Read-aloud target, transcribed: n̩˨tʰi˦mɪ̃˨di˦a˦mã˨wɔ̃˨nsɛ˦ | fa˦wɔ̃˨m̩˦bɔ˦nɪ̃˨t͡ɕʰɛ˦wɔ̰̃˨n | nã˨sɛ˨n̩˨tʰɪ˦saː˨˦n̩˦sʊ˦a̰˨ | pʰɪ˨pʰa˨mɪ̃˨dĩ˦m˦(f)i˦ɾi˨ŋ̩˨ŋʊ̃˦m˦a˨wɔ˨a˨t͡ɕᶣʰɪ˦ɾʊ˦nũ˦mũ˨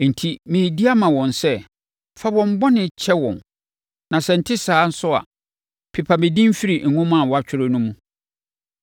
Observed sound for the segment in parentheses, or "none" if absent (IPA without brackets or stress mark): f